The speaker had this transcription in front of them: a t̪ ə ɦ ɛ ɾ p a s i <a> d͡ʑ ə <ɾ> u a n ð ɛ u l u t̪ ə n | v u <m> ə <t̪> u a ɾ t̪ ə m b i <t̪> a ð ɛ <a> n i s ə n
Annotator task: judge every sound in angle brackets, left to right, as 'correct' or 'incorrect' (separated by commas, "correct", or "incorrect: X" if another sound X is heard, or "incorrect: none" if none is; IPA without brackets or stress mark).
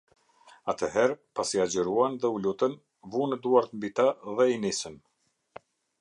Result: correct, correct, incorrect: n, incorrect: d̪, correct, incorrect: i